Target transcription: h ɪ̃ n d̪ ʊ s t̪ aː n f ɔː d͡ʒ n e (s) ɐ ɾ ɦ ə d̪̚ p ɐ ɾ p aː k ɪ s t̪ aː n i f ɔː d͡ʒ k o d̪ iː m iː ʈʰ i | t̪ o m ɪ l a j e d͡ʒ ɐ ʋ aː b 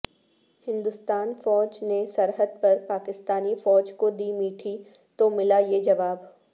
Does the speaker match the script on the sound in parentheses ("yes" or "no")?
yes